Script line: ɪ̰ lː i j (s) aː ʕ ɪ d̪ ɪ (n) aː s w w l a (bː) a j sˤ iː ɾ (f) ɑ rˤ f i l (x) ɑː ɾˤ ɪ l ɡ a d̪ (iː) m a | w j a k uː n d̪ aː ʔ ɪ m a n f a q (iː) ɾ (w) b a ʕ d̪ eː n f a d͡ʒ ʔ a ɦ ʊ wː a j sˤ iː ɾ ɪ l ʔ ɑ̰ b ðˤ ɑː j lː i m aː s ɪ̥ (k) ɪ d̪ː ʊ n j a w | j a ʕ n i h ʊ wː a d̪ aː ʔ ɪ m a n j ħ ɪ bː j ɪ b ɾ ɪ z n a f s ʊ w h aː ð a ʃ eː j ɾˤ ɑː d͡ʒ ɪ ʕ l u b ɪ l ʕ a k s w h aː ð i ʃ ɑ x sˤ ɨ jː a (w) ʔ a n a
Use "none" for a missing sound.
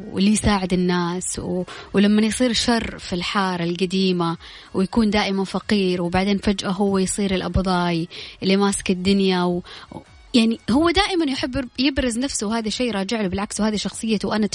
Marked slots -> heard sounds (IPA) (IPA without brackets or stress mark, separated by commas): s, nː, mː, ʃ, ħ, iː, iː, w, k, w